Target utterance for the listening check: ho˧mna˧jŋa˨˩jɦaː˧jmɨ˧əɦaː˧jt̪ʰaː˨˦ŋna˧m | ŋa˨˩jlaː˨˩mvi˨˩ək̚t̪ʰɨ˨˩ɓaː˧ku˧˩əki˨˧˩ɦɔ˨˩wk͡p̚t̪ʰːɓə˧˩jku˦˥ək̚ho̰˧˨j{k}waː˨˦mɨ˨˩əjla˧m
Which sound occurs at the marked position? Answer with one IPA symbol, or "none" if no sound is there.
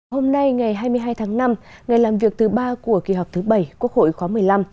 x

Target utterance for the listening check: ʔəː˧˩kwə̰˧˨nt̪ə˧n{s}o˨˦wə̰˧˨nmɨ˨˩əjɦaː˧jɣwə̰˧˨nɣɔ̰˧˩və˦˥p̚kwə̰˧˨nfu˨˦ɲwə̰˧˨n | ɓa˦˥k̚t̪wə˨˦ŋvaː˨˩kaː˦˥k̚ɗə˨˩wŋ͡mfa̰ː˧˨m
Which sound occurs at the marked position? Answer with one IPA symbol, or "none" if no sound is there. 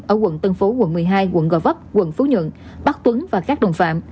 f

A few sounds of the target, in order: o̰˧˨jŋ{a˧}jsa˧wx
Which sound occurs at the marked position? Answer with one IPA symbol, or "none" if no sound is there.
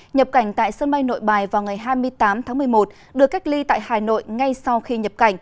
a˧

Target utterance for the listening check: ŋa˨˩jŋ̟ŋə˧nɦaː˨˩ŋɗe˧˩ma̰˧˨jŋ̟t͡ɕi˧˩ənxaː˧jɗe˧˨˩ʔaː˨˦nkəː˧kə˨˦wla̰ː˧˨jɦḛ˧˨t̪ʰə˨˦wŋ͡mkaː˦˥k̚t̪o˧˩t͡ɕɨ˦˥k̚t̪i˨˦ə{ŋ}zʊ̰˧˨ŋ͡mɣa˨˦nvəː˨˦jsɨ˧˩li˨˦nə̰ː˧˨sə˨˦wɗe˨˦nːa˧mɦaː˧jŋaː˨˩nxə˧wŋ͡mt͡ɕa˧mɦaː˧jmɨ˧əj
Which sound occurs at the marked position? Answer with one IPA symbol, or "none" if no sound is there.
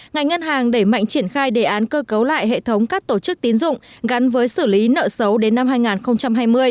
n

